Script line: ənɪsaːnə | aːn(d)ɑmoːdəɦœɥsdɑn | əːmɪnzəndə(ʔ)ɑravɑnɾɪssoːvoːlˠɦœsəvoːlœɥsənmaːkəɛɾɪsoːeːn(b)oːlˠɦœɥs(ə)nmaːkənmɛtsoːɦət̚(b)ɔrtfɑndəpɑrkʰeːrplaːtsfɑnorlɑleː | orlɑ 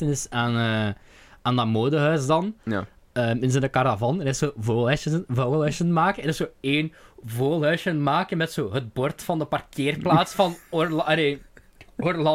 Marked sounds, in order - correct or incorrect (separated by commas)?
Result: correct, incorrect, incorrect, correct, correct